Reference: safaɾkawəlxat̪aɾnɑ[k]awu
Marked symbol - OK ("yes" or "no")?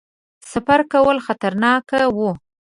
yes